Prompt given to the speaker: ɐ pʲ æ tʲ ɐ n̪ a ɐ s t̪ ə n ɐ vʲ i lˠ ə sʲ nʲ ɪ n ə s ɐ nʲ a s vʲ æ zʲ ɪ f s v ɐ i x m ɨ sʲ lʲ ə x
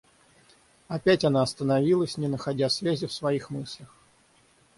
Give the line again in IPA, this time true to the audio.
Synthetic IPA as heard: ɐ pʲ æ tʲ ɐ n̪ a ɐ s t̪ ə n ɐ vʲ i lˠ ə sʲ nʲ ɪ n ə x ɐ dʲ a s vʲ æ zʲ ɪ f s v ɐ i x m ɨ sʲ lʲ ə x